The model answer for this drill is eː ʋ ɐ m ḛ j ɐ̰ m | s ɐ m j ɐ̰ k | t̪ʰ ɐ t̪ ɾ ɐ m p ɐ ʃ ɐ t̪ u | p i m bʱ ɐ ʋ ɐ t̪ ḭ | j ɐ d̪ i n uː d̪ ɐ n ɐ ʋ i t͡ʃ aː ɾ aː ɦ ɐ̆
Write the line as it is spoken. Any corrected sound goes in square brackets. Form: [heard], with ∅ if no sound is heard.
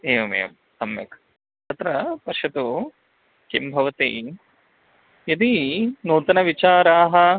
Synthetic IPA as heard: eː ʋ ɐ m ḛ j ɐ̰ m | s ɐ m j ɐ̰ k | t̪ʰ ɐ t̪ ɾ ɐ [∅] p ɐ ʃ ɐ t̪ u | [k] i m bʱ ɐ ʋ ɐ t̪ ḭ | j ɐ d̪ i n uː [t̪] ɐ n ɐ ʋ i t͡ʃ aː ɾ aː ɦ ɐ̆